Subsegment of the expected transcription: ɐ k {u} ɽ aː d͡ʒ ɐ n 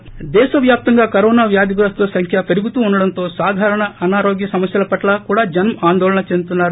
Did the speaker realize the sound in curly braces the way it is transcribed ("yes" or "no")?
no